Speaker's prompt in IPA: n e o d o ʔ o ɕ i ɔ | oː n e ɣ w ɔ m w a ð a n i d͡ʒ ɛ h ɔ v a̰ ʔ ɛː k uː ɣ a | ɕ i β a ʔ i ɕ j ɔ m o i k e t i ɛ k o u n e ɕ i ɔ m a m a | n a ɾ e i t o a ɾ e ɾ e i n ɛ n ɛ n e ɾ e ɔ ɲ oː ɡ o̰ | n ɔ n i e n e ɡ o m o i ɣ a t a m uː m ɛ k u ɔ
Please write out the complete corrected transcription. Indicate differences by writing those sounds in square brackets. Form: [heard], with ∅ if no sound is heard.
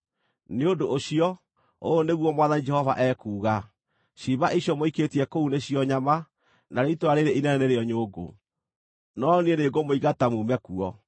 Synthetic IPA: n e o d o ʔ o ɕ i ɔ | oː n e ɣ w ɔ m w a ð a n i d͡ʒ ɛ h ɔ v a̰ ʔ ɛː k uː ɣ a | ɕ i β a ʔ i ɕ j ɔ m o i k e t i ɛ k o u n e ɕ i ɔ [ɲ] a m a | n a ɾ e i t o a ɾ e ɾ e i n ɛ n ɛ n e ɾ e ɔ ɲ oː ɡ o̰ | n ɔ n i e n e ɡ o m o i ɣ a t a m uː m ɛ k u ɔ